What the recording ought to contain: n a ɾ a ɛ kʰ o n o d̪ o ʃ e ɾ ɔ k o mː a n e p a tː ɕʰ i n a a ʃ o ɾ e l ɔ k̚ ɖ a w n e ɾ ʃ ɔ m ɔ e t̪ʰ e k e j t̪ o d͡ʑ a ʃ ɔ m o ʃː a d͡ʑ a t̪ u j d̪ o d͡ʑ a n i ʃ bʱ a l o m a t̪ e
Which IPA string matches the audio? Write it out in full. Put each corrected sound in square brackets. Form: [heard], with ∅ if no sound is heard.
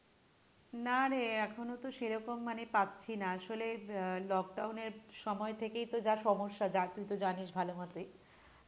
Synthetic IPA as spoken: n a ɾ [e] ɛ kʰ o n o [t̪] o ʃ e ɾ ɔ k o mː a n e p a tː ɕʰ i n a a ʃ o [l] e l ɔ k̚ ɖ a w n e ɾ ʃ ɔ m ɔ e t̪ʰ e k e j t̪ o d͡ʑ a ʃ ɔ m o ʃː a d͡ʑ a t̪ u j [t̪] o d͡ʑ a n i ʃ bʱ a l o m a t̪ e